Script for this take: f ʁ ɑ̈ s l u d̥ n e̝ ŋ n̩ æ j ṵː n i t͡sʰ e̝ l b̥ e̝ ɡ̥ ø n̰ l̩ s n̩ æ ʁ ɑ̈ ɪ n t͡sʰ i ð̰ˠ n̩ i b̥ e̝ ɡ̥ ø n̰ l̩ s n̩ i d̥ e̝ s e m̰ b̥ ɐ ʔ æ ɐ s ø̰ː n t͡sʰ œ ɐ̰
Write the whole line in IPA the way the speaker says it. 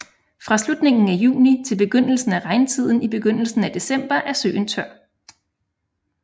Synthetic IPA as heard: f ʁ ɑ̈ s l u d̥ n e̝ ŋ n̩ æ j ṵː n i t͡sʰ e̝ l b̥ e̝ ɡ̥ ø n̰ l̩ s n̩ æ ʁ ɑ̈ ɪ n t͡sʰ i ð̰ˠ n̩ i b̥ e̝ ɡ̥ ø n̰ l̩ s n̩ æ d̥ e̝ s e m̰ b̥ ɐ ʔ æ ɐ s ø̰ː n t͡sʰ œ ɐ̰

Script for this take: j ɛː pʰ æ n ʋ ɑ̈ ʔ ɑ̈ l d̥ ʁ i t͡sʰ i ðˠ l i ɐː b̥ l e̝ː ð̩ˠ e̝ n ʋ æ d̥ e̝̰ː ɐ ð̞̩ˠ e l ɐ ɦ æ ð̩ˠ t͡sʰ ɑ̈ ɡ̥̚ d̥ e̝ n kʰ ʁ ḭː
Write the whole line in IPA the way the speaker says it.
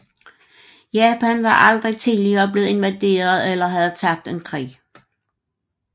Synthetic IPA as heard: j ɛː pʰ æ n ʋ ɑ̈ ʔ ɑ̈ l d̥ ʁ i t͡sʰ i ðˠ l i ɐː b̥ l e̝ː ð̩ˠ e̝ n ʋ æ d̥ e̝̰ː ɐ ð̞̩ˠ e l ɐ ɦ æ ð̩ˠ t͡sʰ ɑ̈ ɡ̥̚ d̥ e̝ n kʰ ʁ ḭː

